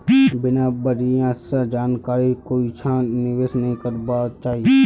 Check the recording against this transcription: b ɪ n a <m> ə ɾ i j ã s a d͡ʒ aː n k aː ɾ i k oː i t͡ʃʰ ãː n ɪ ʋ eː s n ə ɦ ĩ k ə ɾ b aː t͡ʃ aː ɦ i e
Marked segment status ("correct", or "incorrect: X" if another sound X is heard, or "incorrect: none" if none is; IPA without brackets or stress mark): incorrect: b